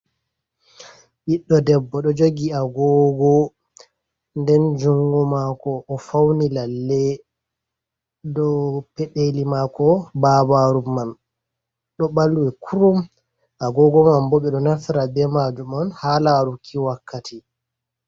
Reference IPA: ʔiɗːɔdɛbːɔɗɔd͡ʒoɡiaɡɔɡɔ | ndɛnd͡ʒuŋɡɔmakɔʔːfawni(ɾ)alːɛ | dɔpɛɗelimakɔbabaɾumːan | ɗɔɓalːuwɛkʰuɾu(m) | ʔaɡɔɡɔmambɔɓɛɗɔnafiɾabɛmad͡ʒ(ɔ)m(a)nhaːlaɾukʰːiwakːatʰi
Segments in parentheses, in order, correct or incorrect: incorrect: l, correct, incorrect: u, correct

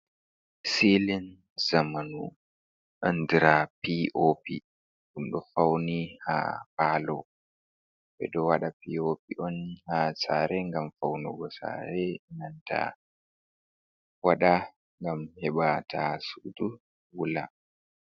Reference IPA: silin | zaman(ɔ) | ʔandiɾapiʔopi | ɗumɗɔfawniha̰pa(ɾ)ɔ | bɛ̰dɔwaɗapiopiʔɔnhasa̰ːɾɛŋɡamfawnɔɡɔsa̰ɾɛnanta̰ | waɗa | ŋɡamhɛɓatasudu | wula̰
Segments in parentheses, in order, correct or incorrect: incorrect: u, incorrect: l

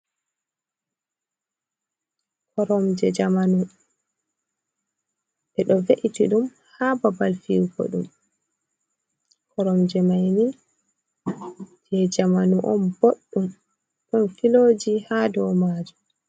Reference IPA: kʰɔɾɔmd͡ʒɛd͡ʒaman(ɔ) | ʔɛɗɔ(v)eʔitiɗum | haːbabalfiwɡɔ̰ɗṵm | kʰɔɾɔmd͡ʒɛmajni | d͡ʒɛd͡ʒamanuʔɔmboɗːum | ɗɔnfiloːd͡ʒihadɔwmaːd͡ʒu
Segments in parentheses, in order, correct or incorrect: incorrect: u, correct

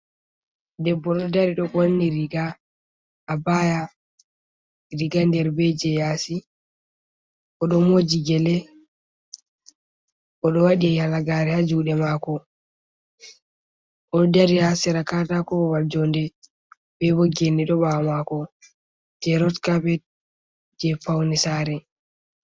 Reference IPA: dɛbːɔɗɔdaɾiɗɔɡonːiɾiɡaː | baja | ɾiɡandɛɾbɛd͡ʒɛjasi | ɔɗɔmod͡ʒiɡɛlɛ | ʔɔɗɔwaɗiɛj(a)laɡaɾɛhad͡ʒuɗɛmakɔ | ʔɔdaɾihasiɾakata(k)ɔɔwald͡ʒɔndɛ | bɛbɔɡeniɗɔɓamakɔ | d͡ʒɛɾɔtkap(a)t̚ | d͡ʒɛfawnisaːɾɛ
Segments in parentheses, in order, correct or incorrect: correct, correct, incorrect: ɛ

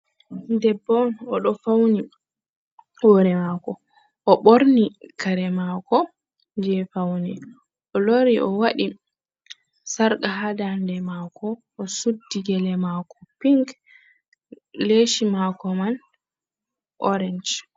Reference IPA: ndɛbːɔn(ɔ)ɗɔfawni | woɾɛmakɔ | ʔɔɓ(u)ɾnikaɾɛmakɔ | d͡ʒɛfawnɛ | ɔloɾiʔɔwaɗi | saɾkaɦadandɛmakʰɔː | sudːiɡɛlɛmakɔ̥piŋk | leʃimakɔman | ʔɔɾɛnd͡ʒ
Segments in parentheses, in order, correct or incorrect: correct, incorrect: o

